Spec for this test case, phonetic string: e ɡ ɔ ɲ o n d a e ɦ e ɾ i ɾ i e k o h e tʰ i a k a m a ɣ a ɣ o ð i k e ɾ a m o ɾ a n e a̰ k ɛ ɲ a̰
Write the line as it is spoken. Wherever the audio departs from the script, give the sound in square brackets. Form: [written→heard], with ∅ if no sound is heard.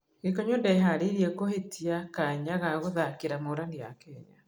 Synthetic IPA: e [ɡ→k] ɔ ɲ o n d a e ɦ [e→a] ɾ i ɾ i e k o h e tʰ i a k a [m→ɲ] a ɣ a ɣ o ð [i→a] k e ɾ a m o ɾ a n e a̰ k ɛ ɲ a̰